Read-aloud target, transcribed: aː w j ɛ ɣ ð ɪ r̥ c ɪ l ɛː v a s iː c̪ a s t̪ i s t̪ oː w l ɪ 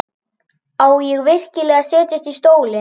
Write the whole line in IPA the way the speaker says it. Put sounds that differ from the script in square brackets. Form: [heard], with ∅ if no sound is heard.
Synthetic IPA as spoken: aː w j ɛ ɣ [v] ɪ r̥ c ɪ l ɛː [ɣ] a s [ɛː] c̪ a s t̪ i s t̪ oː w l ɪ